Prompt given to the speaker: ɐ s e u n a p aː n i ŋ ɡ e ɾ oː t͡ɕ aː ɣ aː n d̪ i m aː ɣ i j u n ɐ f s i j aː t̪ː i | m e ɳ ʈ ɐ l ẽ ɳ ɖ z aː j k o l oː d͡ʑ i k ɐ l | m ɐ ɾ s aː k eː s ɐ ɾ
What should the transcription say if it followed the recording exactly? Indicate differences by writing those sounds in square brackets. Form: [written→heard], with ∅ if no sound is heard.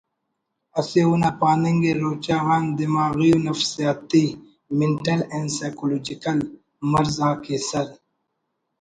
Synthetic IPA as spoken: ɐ s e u n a p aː n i ŋ ɡ e ɾ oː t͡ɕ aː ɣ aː n d̪ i m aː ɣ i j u n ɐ f s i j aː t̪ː i | m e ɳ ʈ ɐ l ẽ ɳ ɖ [z→s] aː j k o l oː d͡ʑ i k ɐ l | m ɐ ɾ [s→z] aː k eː s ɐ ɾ